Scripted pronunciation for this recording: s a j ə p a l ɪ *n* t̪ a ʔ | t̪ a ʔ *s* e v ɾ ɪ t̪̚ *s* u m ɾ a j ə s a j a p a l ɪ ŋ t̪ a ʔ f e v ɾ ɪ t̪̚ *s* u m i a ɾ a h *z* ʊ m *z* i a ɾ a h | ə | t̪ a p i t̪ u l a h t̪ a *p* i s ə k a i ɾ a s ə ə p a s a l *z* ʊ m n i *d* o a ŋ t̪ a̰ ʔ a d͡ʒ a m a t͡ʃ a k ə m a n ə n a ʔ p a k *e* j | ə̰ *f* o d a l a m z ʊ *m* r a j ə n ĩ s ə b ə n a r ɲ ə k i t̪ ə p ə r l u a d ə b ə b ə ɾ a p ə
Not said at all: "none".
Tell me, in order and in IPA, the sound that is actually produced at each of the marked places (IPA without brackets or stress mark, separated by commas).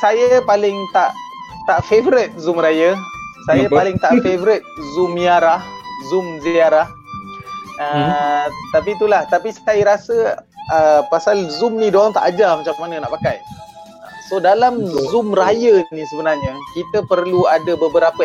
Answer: ŋ, f, z, z, z, z, p, z, d, a, s, m